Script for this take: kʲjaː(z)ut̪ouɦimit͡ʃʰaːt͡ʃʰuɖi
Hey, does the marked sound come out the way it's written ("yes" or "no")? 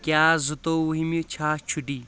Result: yes